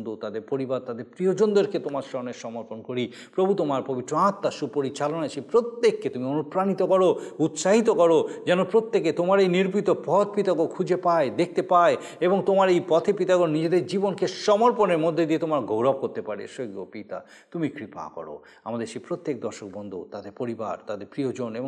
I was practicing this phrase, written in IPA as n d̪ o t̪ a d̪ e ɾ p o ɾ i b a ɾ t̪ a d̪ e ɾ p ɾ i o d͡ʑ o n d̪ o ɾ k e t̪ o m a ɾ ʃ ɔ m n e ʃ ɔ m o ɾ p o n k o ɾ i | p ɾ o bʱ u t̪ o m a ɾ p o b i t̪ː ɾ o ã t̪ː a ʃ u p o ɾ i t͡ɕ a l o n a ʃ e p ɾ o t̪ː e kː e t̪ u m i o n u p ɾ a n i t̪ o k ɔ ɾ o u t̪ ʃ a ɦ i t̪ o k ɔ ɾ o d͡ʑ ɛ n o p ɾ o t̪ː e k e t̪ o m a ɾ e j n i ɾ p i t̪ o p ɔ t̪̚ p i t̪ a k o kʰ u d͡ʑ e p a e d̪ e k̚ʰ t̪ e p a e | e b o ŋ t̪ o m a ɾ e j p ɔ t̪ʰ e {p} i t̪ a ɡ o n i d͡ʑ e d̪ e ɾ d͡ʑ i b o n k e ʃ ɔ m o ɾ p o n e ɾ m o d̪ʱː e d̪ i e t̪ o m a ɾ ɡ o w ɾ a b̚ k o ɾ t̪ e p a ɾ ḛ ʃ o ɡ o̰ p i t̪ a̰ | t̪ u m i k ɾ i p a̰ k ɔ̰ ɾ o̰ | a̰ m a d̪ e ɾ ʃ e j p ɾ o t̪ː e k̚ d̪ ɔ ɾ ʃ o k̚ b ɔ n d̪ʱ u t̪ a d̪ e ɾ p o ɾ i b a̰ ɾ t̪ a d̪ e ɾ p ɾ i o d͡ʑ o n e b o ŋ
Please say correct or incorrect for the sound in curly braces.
correct